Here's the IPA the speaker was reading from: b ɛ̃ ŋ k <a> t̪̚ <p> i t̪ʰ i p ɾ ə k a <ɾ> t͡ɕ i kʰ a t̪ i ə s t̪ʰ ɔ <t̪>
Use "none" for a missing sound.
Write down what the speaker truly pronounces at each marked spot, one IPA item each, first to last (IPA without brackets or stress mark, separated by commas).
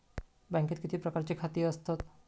e, k, ɾ, t̪